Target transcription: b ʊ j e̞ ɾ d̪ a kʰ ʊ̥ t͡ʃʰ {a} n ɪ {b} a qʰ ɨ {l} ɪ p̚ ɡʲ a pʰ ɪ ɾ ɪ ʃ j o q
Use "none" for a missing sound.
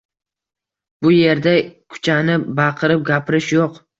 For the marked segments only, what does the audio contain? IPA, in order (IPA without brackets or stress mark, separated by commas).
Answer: a, b, ɾ